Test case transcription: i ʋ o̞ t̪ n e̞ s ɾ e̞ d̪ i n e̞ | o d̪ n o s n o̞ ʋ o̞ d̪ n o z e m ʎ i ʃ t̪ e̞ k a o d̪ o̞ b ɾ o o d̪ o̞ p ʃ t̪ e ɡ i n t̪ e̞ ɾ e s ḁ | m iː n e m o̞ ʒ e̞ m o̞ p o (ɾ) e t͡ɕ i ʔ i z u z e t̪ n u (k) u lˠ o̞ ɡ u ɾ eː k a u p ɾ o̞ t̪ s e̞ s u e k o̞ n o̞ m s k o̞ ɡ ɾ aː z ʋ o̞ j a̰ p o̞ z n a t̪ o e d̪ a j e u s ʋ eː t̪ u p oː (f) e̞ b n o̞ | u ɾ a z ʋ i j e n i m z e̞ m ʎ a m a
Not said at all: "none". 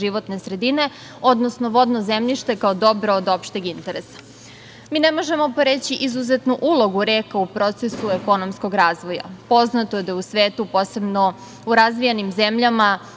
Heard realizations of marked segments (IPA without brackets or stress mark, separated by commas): ɾ, ʔ, s